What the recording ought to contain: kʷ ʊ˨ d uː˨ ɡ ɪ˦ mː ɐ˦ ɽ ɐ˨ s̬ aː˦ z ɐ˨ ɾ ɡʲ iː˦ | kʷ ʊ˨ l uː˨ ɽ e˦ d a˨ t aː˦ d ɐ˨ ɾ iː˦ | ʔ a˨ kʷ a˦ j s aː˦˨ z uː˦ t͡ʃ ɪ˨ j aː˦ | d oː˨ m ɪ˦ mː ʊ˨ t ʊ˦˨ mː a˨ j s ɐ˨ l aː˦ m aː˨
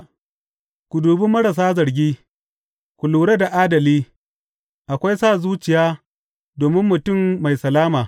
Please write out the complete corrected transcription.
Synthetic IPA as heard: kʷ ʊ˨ d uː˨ b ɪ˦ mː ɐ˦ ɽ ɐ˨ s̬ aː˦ z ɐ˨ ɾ ɡʲ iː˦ | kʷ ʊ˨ l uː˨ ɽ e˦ d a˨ ʔ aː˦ d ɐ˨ l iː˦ | ʔ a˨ kʷ a˦ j s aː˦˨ z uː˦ t͡ʃ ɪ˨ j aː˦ | d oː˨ m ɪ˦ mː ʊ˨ t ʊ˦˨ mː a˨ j s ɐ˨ l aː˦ m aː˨